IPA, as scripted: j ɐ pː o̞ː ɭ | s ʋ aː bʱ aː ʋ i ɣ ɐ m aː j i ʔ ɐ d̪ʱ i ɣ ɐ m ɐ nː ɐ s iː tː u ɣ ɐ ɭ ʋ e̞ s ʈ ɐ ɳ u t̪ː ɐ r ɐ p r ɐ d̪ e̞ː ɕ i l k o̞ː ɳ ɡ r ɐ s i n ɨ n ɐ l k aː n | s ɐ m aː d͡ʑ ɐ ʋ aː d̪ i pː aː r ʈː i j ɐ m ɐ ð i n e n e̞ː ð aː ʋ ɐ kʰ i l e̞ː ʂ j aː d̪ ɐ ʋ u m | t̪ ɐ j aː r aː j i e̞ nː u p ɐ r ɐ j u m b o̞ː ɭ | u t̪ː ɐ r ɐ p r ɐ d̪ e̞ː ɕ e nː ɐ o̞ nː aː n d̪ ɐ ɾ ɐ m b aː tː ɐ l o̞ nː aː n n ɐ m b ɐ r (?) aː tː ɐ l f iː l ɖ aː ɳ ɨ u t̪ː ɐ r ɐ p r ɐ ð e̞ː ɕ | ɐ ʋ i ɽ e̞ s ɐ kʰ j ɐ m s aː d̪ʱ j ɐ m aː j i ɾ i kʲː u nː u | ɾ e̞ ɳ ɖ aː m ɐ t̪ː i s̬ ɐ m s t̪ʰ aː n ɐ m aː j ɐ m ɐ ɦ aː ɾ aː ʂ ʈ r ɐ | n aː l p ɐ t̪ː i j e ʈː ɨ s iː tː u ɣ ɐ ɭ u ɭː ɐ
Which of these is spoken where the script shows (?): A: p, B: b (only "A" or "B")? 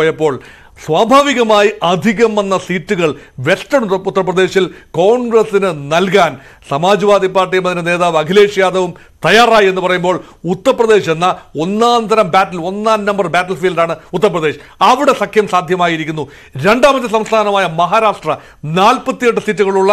B